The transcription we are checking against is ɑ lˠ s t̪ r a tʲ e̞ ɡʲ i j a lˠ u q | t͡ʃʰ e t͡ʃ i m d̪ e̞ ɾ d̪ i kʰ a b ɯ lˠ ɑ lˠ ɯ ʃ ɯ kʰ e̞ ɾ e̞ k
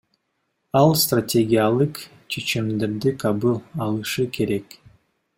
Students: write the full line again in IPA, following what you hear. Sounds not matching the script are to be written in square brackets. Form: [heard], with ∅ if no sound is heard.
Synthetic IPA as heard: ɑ lˠ s t̪ r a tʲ e̞ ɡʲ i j a lˠ [ɯ] q | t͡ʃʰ e t͡ʃ i m d̪ e̞ ɾ d̪ i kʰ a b ɯ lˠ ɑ lˠ ɯ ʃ ɯ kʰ e̞ ɾ e̞ k